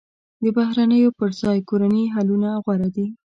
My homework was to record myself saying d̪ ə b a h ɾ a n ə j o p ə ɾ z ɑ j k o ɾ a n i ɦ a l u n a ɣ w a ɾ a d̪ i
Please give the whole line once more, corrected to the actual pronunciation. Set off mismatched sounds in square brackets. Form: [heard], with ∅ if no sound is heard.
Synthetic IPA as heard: d̪ ə b a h ɾ a n ə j o p ə ɾ z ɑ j k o ɾ a n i ɦ a l u n a ɣ w a ɾ a d̪ i